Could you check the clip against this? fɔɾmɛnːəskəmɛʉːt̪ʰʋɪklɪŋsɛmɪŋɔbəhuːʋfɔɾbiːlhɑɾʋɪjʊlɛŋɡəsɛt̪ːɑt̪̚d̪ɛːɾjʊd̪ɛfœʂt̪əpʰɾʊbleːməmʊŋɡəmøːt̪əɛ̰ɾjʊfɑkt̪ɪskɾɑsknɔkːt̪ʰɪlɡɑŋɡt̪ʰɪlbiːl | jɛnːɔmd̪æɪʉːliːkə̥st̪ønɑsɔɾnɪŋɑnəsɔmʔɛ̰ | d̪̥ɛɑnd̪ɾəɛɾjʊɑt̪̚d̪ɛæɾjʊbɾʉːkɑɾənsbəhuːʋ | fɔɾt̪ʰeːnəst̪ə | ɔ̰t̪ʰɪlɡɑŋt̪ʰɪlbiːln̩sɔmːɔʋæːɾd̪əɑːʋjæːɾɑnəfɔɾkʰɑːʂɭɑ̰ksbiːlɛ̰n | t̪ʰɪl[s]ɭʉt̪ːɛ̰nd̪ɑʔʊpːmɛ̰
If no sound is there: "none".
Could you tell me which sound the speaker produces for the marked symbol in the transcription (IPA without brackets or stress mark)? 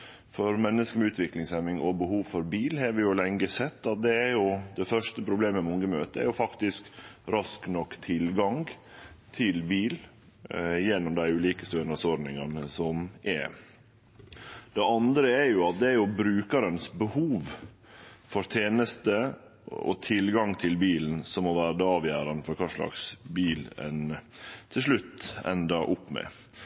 ʂ